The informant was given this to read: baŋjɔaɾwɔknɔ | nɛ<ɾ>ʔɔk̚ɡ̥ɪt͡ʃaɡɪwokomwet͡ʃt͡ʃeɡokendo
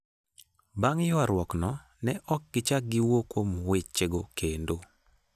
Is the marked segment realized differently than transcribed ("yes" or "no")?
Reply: yes